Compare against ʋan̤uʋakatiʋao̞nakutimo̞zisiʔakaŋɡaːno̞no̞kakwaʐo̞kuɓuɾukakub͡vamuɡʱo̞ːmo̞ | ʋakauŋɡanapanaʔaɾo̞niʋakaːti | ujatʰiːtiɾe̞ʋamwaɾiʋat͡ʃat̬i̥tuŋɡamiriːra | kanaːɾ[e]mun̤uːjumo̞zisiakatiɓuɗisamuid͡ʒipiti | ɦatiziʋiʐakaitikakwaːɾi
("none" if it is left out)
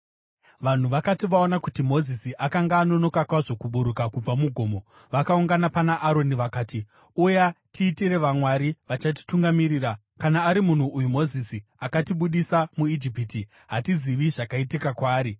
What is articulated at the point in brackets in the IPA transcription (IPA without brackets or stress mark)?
i